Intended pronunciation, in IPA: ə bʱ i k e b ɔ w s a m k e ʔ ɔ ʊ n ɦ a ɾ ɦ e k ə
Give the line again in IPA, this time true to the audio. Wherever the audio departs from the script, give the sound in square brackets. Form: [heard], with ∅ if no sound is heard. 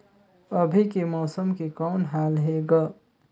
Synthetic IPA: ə bʱ i k e [m] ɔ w s [ə] m k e [k] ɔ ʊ n ɦ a [l] ɦ e [ɡ] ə